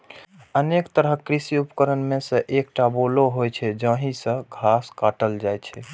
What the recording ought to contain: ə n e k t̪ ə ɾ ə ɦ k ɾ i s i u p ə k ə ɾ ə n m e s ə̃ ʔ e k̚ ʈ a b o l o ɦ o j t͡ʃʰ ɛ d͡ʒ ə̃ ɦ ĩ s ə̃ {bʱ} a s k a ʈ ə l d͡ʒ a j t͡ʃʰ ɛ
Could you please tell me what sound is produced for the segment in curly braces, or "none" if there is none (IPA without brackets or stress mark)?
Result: ɡʱ